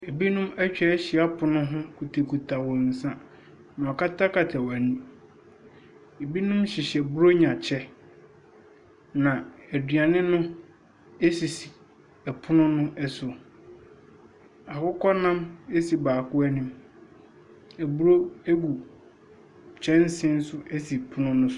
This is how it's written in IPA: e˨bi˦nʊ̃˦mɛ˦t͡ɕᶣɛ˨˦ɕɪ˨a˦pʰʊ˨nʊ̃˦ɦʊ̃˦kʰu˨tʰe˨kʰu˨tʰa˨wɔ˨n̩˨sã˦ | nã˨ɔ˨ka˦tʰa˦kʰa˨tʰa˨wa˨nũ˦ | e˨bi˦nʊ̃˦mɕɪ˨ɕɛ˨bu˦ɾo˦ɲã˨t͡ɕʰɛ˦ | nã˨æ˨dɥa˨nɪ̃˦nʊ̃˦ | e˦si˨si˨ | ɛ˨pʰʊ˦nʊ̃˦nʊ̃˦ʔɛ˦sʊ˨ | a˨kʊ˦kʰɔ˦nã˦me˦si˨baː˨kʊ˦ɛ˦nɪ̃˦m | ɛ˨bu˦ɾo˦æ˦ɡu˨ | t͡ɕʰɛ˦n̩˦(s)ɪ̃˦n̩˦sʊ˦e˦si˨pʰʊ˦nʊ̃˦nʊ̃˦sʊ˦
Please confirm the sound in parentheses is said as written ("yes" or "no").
yes